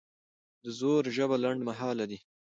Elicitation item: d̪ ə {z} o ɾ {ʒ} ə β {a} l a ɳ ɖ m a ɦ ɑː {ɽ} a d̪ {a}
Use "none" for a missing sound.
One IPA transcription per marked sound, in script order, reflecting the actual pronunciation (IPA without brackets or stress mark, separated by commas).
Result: z, ʒ, a, l, i